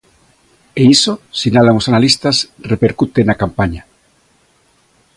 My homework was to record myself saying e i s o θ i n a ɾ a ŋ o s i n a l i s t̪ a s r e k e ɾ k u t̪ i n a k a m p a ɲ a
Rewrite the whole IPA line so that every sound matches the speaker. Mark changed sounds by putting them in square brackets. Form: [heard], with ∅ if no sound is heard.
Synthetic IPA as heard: e i s o [s] i n a [l] a ŋ o s [a] n a l i s t̪ a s r e [p] e ɾ k u t̪ [e] n a k a m p a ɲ a